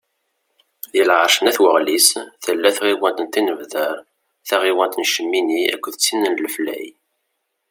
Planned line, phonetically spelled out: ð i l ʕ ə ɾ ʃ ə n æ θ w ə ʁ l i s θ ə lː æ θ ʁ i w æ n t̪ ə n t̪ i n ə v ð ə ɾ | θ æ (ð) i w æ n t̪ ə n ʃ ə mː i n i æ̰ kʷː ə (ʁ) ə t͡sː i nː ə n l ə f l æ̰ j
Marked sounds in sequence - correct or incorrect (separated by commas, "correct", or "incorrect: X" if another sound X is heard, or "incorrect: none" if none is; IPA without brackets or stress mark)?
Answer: incorrect: ʁ, incorrect: ð